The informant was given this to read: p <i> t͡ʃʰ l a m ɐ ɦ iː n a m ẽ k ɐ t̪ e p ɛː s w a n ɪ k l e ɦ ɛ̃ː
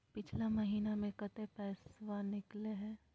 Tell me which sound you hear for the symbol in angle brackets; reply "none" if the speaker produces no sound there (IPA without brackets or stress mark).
ɪ